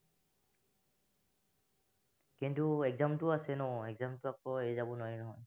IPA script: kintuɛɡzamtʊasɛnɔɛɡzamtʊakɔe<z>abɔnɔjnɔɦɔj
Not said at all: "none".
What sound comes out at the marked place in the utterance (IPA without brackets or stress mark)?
z